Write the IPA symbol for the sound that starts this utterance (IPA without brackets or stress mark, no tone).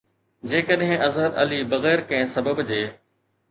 d͡ʑ